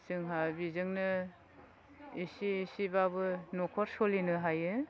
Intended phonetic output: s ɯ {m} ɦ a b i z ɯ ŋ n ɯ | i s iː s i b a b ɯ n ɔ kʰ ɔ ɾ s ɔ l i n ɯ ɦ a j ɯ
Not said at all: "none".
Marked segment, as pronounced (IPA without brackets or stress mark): ŋ